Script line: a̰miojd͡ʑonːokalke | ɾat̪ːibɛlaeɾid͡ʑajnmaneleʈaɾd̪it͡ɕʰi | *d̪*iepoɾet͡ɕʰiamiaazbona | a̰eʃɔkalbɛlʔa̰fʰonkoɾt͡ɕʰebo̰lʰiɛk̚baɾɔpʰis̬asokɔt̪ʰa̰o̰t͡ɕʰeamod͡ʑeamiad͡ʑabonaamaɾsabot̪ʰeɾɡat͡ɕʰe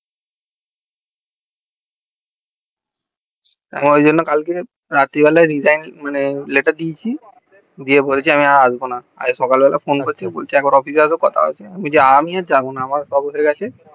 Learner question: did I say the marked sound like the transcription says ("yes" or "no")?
yes